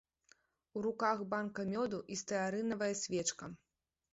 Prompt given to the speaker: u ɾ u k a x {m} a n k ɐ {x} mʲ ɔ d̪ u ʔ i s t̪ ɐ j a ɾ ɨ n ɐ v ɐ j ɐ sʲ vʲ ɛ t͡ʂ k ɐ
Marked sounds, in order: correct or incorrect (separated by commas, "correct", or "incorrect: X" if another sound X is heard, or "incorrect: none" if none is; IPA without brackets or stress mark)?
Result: incorrect: b, incorrect: none